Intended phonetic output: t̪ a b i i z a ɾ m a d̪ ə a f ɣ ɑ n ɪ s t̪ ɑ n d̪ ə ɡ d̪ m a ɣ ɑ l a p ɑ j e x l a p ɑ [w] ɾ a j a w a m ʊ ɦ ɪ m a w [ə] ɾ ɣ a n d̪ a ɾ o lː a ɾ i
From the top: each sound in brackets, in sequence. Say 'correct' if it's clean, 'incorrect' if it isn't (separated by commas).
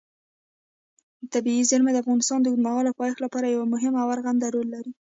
incorrect, incorrect